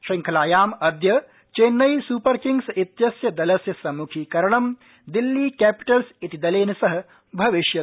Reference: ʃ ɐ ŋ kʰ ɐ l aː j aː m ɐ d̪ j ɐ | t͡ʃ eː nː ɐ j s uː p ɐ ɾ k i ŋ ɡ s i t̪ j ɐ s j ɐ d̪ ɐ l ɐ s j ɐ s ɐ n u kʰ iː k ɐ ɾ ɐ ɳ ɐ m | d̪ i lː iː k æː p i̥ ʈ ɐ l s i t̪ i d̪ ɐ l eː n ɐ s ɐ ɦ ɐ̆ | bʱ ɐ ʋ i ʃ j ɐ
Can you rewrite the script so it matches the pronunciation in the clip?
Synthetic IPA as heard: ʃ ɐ ŋ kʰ ɐ l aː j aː m ɐ d̪ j ɐ | t͡ʃ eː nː ɐ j s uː p ɐ ɾ k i ŋ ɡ s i t̪ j ɐ s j ɐ d̪ ɐ l ɐ s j ɐ s ɐ m u kʰ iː k ɐ ɾ ɐ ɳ ɐ m | d̪ i lː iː k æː p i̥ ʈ ɐ l s i t̪ i d̪ ɐ l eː n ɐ s ɐ ɦ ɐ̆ | bʱ ɐ ʋ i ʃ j ɐ